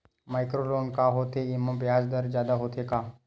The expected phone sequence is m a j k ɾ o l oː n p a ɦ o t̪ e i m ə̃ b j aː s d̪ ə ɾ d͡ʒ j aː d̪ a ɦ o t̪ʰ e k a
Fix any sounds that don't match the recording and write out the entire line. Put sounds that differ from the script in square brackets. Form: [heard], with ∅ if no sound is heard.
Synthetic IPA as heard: m a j k ɾ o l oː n [k] a ɦ o t̪ e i m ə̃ b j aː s d̪ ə ɾ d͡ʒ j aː d̪ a ɦ o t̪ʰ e k a